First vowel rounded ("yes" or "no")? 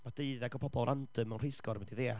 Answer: no